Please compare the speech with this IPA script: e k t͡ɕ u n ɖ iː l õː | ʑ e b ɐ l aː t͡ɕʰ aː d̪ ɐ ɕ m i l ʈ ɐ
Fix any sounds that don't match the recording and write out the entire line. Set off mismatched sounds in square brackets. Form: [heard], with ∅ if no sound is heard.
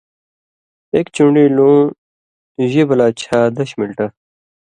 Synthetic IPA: e k t͡ɕ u [ɳ] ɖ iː l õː | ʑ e b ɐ l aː t͡ɕʰ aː d̪ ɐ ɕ m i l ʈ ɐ